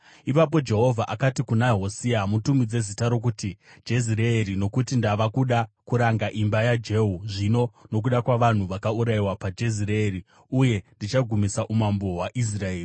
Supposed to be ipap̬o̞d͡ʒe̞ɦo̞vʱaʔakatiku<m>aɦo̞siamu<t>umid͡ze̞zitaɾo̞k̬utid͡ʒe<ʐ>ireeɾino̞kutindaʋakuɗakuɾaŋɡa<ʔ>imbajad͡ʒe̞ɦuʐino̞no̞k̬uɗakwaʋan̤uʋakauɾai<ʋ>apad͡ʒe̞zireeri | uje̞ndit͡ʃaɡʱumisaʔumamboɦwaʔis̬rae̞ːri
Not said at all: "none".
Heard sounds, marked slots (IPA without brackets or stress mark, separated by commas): n, t, z, ʔ, w